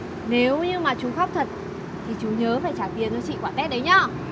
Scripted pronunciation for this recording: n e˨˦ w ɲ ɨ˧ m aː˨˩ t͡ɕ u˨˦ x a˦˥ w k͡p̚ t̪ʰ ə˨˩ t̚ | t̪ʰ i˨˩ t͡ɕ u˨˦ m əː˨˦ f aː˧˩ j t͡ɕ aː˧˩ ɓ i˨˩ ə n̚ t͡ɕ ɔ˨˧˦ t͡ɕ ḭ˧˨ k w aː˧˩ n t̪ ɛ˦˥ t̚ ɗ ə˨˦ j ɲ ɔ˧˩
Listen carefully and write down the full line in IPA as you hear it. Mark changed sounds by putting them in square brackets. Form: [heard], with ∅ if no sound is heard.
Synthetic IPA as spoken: n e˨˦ w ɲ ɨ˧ m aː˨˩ t͡ɕ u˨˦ x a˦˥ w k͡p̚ t̪ʰ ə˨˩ t̚ | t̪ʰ i˨˩ t͡ɕ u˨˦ [ɲ] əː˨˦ f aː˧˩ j t͡ɕ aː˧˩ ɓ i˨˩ ə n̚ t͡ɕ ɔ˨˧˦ t͡ɕ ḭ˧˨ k w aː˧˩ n t̪ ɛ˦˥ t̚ ɗ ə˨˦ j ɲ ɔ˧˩

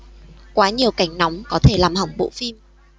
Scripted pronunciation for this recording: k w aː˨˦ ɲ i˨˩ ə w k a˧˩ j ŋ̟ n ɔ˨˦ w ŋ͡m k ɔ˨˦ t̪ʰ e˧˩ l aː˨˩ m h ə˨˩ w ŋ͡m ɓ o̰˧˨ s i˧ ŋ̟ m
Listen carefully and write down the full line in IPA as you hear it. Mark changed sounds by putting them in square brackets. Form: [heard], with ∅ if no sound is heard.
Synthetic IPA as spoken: k w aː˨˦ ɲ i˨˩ ə w k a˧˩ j ŋ̟ n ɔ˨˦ w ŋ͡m k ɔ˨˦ t̪ʰ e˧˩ l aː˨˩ m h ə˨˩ w ŋ͡m ɓ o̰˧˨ [f] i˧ [∅] m

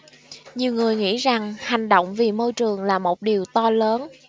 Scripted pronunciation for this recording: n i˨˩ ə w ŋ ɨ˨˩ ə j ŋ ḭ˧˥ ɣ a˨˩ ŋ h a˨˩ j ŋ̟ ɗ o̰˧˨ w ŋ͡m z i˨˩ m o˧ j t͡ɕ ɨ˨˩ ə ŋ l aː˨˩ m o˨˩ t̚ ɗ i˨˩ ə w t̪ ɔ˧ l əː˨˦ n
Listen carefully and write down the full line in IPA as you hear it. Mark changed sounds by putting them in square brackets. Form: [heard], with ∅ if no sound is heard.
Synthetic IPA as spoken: [ɲ] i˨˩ ə w ŋ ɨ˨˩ ə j ŋ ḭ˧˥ [z] a˨˩ ŋ h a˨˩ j ŋ̟ ɗ o̰˧˨ w ŋ͡m [v] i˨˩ m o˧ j t͡ɕ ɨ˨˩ ə ŋ l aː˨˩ m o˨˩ t̚ ɗ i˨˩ ə w t̪ ɔ˧ l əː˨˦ n

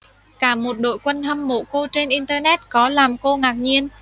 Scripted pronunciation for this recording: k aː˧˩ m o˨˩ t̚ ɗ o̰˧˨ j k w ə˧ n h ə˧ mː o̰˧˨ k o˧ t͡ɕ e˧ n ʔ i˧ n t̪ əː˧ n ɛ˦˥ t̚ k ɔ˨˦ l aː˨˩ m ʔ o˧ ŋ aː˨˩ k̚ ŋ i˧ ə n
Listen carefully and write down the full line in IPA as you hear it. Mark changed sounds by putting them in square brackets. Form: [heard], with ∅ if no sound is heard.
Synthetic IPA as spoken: k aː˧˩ m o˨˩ t̚ ɗ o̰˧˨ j k w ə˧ n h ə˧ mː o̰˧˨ k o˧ t͡ɕ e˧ n ʔ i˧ n t̪ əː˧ n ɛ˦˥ t̚ k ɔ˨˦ l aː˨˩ m [k] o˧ ŋ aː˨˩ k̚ [ɲ] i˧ ə n

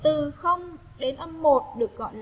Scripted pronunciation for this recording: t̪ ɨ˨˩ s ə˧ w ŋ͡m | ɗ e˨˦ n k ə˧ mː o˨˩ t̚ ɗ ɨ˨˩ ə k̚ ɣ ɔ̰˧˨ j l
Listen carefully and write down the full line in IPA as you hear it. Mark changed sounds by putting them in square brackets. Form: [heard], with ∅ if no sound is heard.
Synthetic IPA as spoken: t̪ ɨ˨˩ [x] ə˧ w ŋ͡m | ɗ e˨˦ n [ʔ] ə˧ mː o˨˩ t̚ ɗ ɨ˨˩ ə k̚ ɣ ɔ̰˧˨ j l

